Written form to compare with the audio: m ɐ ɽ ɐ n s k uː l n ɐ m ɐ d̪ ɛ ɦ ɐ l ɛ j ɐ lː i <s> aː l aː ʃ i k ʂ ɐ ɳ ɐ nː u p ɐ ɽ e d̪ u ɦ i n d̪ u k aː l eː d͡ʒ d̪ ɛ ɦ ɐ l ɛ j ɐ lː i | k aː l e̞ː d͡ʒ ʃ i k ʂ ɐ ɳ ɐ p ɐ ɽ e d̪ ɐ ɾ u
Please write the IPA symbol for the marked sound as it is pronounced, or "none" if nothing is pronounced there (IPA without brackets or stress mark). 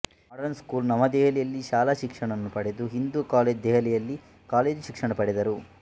ʃ